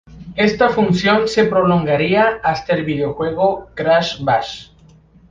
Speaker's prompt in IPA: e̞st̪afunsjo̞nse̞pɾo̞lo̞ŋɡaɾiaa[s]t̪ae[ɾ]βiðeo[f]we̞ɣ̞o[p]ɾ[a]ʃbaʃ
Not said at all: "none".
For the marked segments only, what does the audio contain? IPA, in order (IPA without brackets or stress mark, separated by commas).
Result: s, l, x, k, a